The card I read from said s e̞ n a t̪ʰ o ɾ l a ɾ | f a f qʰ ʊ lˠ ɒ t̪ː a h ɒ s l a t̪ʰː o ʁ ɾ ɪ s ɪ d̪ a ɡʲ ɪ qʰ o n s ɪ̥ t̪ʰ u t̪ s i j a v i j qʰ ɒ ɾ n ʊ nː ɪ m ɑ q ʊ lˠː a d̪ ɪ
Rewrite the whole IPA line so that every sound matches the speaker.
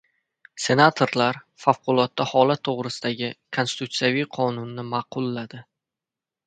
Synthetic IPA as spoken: s e̞ n a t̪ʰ o ɾ l a ɾ | f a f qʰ ʊ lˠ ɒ t̪ː a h ɒ l a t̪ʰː o ʁ ɾ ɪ s ɪ d̪ a ɡʲ ɪ kʰ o n s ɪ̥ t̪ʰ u t̪ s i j a v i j qʰ ɒ n ʊ nː ɪ m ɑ q ʊ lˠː a d̪ ɪ